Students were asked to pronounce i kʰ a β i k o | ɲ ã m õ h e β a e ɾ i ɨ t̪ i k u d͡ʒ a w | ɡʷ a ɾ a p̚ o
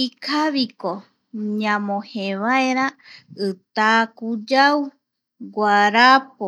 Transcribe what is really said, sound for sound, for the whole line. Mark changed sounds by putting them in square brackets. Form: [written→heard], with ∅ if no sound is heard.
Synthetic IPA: i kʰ a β i k o | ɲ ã m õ h e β a e ɾ [i→a] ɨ t̪ [i→a] k u d͡ʒ a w | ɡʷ a ɾ a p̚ o